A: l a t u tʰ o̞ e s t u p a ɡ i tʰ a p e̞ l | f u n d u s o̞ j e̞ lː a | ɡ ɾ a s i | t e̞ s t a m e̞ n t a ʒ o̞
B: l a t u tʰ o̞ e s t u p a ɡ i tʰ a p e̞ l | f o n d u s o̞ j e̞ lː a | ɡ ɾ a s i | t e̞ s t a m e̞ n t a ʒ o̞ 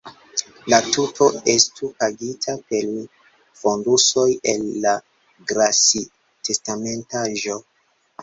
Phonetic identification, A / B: B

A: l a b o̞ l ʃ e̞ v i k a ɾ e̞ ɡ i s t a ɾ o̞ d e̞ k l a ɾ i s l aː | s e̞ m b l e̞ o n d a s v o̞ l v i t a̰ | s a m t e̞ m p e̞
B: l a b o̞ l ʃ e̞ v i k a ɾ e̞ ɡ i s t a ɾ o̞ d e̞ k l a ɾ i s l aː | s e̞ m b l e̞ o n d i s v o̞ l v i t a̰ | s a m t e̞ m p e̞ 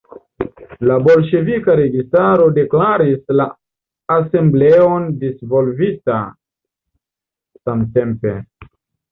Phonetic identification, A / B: B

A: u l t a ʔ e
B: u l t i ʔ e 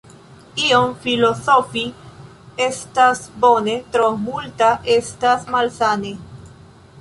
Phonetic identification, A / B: A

